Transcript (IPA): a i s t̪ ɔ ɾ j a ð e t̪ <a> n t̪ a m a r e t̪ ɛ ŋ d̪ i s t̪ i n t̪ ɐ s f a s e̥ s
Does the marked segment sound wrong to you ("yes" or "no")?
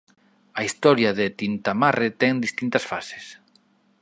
yes